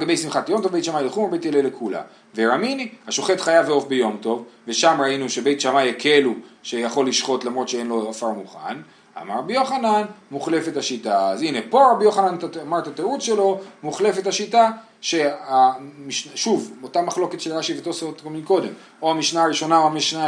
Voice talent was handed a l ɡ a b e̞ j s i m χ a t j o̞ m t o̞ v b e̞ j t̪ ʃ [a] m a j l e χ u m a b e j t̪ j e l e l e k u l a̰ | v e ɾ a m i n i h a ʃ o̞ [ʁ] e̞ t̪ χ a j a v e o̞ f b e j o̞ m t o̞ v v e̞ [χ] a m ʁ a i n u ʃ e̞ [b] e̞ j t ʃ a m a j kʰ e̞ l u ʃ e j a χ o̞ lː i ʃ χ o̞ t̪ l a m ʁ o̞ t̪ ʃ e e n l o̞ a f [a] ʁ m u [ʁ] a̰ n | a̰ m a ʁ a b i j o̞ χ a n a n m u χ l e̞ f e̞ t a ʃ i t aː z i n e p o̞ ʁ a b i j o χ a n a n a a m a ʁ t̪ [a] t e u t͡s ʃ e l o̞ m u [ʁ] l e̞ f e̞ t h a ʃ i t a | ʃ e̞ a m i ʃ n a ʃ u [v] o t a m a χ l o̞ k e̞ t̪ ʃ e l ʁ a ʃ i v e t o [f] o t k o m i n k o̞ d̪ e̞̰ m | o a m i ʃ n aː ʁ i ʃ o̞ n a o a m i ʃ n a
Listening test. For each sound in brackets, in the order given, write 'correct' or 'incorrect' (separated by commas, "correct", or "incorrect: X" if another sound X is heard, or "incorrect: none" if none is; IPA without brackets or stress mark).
correct, incorrect: χ, incorrect: ʃ, correct, correct, incorrect: χ, correct, incorrect: χ, correct, incorrect: s